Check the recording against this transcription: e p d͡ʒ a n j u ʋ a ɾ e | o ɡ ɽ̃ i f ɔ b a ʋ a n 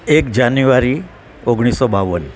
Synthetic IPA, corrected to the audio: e k d͡ʒ a n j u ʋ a ɾ i | o ɡ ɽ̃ i s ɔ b a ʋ ə n